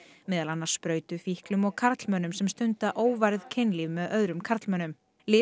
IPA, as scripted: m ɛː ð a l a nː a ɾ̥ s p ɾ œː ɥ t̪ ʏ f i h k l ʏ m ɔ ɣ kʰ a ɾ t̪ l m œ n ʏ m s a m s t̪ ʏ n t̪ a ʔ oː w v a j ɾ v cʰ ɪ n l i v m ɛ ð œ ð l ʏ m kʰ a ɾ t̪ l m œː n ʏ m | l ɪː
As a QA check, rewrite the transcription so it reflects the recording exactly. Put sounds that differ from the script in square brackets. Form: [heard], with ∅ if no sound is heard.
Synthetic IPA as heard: m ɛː ð a l a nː a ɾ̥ s p ɾ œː ɥ t̪ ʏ f i h k l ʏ m ɔ ɣ kʰ a ɾ t̪ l m œ n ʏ m s [ɛ] m s t̪ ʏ n t̪ a ʔ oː w v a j ɾ [ð] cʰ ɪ n l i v m ɛ ð œ ð [ɾ] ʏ m kʰ a ɾ t̪ l m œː n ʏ m | l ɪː